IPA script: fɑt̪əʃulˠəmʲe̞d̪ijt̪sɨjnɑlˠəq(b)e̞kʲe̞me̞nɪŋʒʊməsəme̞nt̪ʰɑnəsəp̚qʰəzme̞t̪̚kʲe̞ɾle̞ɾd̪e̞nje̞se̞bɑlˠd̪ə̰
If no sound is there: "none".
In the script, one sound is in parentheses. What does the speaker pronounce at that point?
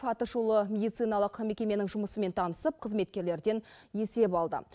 m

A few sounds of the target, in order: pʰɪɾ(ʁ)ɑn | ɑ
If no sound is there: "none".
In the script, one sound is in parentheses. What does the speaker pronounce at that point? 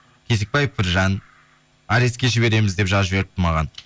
ʒ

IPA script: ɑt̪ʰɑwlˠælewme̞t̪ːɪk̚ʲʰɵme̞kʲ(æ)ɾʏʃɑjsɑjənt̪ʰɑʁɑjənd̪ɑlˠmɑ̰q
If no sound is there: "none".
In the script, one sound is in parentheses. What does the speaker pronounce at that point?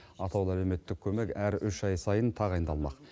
æ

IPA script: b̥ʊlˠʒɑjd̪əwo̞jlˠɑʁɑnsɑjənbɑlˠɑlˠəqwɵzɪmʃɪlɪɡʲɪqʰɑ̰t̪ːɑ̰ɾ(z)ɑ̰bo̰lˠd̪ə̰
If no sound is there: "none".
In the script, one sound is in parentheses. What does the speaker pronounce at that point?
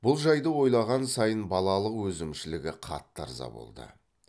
z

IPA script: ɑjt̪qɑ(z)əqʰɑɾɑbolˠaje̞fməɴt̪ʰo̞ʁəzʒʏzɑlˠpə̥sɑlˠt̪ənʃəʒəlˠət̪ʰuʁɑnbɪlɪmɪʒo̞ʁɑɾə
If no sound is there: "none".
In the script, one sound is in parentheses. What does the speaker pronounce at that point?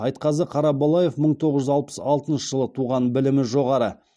z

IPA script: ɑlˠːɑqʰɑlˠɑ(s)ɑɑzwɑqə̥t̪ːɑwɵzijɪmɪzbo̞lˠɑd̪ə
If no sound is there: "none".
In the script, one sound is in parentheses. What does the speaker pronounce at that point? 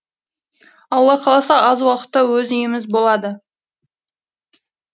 s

